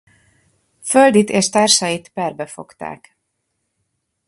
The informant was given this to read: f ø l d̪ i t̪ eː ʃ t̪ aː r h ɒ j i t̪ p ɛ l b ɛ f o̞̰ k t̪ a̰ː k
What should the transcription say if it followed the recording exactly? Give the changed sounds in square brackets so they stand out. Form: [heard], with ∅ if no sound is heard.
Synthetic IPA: f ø l d̪ i t̪ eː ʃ t̪ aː r [ʃ] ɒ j i t̪ p ɛ [r] b ɛ f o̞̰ k t̪ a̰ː k